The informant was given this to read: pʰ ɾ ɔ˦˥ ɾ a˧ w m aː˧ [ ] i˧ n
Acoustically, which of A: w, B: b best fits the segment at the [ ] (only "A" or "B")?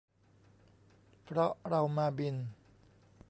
B